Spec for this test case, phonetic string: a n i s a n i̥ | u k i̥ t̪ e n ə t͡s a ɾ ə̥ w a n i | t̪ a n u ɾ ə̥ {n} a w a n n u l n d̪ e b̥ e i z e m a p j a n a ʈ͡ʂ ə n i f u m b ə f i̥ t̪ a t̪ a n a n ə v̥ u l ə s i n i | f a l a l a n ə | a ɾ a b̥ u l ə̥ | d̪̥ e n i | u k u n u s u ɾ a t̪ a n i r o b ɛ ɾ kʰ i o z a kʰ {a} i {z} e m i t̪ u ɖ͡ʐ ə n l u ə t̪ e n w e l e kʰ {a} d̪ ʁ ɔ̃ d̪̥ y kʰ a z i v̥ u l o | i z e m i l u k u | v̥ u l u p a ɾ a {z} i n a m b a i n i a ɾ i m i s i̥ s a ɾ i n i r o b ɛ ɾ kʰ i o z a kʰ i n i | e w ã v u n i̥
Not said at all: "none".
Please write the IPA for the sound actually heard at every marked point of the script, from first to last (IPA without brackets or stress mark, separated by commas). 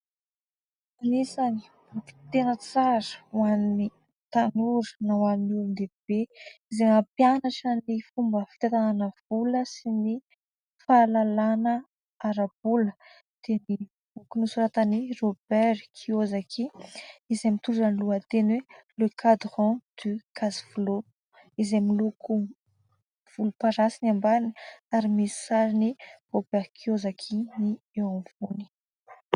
n, i, z, a, s